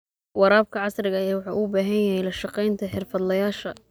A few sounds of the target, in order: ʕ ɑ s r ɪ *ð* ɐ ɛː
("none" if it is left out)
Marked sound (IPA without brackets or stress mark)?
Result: ɣ